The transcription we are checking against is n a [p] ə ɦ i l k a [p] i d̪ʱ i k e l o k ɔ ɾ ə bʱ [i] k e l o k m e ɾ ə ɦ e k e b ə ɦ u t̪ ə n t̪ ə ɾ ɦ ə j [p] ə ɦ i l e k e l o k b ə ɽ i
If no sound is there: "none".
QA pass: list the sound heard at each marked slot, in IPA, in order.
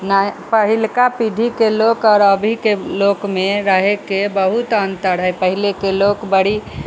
p, p, i, p

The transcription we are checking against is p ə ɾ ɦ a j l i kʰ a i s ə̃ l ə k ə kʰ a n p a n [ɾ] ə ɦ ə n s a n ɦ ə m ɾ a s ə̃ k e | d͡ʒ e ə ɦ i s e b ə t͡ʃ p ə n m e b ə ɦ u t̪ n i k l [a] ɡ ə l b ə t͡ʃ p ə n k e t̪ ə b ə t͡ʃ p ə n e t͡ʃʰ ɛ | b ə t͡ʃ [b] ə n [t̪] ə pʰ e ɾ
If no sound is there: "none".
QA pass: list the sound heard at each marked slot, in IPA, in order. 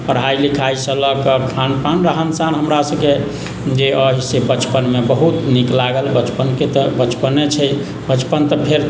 ɾ, a, p, t̪

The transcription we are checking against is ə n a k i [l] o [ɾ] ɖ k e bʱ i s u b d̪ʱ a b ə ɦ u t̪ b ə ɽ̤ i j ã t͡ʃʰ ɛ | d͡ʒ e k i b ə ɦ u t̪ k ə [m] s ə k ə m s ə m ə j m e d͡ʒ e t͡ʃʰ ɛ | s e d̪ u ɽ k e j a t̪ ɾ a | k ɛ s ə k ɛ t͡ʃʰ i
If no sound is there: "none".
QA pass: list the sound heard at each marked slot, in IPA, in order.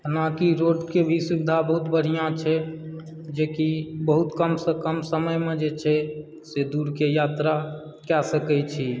ɾ, none, m

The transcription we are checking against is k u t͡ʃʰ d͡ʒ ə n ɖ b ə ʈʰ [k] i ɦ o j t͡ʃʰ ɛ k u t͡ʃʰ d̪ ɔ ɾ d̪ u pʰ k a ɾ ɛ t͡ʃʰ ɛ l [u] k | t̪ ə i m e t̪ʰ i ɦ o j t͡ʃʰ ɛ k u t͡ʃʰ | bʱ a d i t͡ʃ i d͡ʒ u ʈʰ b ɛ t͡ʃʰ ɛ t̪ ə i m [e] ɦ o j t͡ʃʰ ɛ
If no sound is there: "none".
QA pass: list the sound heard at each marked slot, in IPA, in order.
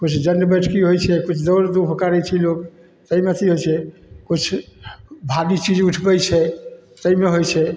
k, o, e

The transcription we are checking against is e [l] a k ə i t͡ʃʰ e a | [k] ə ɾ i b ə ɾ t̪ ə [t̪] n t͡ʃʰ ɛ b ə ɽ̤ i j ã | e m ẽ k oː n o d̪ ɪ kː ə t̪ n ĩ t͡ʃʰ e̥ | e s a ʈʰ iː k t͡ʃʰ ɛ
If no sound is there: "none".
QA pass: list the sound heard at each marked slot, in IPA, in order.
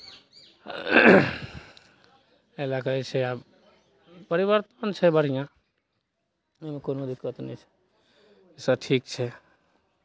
l, p, none

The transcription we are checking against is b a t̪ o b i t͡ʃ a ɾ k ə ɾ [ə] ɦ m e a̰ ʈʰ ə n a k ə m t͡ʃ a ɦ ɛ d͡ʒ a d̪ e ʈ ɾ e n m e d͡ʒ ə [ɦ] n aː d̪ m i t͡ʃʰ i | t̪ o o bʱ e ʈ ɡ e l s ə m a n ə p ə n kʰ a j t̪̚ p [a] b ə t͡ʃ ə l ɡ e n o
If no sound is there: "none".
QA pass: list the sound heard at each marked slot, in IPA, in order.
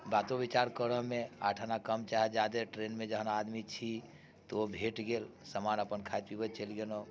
ə, ɦ, i

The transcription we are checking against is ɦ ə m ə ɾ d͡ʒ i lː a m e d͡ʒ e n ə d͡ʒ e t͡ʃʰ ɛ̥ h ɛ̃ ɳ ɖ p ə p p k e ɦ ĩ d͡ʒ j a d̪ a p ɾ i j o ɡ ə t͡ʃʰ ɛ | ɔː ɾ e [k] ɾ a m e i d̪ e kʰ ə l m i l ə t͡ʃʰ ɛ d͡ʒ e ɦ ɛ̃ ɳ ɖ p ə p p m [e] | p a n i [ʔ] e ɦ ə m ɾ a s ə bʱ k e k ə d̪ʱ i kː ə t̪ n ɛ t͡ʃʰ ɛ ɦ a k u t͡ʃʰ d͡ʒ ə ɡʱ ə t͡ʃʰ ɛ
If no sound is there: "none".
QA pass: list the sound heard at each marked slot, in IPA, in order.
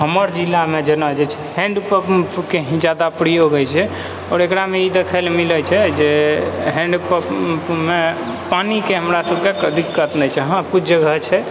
k, e, k

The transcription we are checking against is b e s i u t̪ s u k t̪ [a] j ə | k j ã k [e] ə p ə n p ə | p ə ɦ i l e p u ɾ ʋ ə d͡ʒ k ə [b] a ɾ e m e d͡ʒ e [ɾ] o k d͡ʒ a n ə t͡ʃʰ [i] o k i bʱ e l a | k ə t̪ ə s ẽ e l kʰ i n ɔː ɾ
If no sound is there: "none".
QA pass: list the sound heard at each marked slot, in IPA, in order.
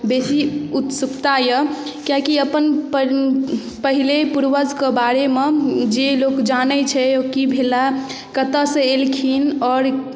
a, i, b, l, ɛ

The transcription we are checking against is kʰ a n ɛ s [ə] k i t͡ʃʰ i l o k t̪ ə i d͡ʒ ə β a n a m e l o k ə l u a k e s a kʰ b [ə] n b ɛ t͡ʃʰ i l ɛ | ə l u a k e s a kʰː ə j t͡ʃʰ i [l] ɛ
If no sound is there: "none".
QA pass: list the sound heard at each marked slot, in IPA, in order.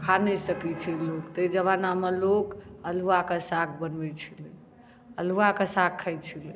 ə, ə, l

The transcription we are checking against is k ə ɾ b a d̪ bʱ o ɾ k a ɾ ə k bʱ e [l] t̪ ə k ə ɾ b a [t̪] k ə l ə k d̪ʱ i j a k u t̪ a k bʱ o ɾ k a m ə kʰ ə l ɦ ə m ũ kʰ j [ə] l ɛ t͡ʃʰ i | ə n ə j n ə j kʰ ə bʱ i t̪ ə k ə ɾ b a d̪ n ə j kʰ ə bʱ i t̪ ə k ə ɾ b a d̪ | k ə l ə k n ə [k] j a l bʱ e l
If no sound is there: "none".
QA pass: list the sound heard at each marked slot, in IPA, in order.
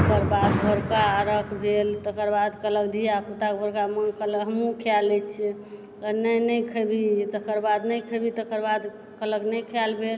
l, d̪, a, kʰ

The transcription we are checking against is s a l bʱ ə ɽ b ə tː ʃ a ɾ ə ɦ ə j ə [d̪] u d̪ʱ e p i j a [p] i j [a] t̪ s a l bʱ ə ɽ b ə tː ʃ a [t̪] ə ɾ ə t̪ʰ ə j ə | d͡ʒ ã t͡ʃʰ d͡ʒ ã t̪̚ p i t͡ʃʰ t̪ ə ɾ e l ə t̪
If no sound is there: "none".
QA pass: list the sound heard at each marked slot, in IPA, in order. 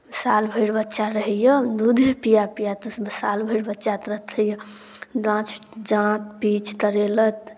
d̪, p, a, t̪

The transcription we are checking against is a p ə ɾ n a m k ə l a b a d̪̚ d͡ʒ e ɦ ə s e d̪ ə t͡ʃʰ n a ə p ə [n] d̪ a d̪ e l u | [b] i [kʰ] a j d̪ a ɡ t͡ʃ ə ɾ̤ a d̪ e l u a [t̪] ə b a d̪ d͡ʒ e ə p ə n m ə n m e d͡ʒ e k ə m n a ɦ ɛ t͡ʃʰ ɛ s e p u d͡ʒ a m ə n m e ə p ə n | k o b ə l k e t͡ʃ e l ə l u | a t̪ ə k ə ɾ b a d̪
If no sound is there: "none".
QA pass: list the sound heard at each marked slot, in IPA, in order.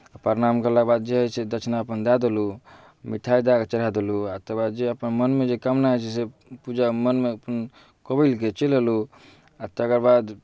n, m, ʈʰ, t̪

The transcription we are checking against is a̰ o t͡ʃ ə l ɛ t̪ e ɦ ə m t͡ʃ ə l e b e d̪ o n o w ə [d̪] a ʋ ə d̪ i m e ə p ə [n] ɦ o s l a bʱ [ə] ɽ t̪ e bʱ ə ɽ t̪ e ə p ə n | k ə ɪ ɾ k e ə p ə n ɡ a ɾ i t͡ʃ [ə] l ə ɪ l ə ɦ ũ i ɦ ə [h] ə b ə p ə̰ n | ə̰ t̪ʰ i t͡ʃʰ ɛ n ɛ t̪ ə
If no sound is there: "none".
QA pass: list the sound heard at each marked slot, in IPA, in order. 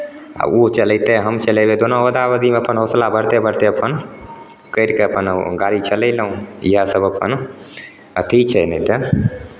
d̪, n, ə, ə, s

